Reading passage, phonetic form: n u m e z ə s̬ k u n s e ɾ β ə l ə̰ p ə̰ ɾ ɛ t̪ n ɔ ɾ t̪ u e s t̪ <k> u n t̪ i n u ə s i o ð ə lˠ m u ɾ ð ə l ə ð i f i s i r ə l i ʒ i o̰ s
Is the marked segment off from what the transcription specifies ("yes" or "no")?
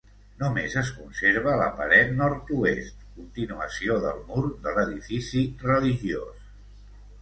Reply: no